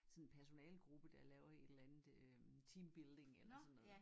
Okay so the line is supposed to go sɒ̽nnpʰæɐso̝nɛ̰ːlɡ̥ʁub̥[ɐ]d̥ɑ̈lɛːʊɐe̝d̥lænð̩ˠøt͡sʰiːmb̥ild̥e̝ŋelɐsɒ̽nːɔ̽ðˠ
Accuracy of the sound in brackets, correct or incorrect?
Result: incorrect